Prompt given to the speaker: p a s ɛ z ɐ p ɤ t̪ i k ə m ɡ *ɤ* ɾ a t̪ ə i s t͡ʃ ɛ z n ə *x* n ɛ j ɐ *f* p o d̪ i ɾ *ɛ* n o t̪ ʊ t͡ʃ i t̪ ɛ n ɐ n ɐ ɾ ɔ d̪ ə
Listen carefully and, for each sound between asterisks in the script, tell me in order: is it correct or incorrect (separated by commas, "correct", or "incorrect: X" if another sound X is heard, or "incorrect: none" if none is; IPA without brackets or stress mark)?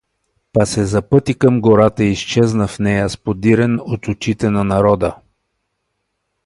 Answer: incorrect: o, incorrect: f, incorrect: s, correct